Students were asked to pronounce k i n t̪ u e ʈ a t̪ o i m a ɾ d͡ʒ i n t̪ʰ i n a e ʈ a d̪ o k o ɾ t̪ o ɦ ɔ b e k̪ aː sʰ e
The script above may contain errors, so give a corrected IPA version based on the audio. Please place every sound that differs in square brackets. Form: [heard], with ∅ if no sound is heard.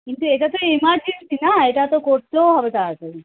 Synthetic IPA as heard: k i n t̪ u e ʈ a t̪ o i m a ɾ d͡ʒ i n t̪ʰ i n a e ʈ a [t̪] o k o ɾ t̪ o ɦ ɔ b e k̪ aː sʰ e

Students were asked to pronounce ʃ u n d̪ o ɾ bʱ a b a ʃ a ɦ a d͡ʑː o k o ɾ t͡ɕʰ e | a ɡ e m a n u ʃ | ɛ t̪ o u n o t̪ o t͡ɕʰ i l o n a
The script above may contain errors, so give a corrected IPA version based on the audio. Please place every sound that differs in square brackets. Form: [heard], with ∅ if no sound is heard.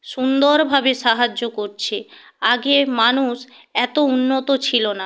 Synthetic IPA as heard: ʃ u n d̪ o ɾ bʱ a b [e] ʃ a ɦ a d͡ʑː o k o ɾ t͡ɕʰ e | a ɡ e m a n u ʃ | ɛ t̪ o u [nː] o t̪ o t͡ɕʰ i l o n a

